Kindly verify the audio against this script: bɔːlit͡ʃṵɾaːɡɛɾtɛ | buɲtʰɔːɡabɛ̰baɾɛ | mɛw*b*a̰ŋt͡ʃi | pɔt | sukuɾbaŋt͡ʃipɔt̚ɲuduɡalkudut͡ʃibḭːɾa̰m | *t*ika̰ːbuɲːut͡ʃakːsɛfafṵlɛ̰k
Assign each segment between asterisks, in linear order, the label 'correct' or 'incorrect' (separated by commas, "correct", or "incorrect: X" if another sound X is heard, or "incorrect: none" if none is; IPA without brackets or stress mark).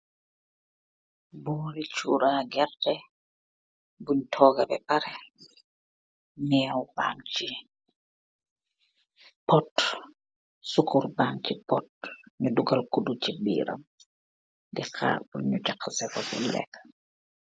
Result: correct, incorrect: d